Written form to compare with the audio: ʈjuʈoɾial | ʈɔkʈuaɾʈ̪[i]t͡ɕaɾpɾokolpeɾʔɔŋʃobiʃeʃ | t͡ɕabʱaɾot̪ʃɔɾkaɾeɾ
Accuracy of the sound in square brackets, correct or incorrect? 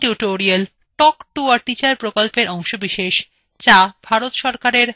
correct